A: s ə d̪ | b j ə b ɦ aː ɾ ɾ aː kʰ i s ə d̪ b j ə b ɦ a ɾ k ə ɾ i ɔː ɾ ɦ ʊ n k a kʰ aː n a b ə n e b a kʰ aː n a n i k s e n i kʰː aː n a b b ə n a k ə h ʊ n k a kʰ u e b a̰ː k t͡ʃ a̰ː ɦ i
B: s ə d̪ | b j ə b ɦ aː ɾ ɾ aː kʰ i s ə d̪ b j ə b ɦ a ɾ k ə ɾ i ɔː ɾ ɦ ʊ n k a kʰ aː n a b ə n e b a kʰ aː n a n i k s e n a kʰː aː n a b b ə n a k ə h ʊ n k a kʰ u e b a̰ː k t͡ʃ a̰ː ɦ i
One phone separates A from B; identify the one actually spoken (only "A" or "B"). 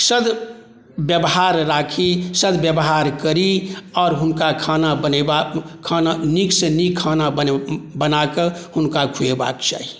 A